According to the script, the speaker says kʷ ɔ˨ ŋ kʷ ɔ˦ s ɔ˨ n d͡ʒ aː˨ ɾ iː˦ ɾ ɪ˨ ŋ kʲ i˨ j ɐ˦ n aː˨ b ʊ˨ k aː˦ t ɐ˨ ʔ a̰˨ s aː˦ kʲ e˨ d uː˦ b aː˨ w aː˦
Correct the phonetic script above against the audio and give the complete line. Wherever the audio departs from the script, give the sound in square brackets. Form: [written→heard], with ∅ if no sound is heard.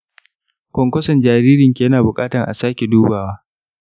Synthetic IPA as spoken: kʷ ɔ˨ ŋ kʷ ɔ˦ s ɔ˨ n d͡ʒ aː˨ ɾ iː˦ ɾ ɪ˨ ŋ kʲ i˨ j ɐ˦ n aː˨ b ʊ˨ [k→kʼ] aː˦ t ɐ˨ ʔ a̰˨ s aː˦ kʲ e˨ d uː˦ b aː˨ w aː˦